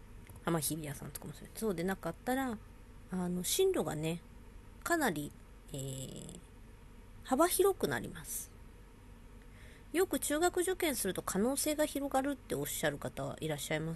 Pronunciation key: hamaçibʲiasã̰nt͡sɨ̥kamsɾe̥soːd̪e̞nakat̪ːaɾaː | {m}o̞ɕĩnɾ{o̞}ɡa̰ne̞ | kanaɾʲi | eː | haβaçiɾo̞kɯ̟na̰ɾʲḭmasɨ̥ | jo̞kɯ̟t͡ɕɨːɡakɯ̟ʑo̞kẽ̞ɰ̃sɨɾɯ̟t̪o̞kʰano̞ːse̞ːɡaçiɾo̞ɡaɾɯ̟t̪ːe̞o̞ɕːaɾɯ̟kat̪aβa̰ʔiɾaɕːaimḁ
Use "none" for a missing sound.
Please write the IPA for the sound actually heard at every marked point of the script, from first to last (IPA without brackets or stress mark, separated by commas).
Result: n, o̞